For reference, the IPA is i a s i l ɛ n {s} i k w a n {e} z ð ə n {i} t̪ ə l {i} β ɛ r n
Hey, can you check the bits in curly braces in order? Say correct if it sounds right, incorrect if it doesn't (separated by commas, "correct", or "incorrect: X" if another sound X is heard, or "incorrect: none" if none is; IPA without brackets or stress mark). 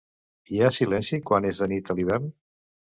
correct, correct, correct, correct